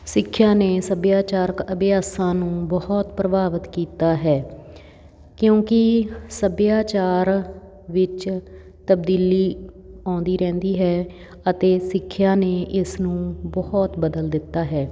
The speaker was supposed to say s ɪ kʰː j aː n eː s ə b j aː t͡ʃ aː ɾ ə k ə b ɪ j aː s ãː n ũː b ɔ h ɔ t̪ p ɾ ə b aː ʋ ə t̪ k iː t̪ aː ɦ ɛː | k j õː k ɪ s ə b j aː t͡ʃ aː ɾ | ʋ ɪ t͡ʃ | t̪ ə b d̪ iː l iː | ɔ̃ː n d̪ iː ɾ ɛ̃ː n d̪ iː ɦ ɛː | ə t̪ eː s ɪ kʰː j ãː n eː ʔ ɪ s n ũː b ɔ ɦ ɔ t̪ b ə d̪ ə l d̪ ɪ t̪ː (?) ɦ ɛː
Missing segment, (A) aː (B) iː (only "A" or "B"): A